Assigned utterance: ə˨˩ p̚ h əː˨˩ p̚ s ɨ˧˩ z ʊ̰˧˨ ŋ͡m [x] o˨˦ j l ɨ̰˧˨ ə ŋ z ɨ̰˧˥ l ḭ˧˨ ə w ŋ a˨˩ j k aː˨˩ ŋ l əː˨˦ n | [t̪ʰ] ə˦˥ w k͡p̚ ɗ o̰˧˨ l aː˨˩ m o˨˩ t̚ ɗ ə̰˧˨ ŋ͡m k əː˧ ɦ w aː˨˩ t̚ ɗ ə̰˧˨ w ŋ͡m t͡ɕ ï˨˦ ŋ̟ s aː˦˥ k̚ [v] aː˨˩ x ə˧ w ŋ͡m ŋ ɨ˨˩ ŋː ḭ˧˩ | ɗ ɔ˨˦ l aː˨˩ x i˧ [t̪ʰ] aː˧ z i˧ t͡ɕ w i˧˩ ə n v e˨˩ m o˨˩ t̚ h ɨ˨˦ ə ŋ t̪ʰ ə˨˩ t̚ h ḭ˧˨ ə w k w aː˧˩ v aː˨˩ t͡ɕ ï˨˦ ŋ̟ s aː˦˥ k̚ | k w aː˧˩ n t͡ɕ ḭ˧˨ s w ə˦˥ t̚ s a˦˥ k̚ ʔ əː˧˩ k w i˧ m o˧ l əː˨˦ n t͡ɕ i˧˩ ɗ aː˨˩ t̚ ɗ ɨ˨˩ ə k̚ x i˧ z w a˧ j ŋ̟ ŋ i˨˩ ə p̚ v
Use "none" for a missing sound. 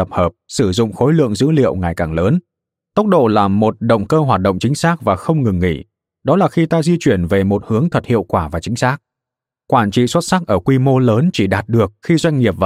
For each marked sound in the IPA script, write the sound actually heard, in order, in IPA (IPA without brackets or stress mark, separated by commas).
x, t̪, v, t̪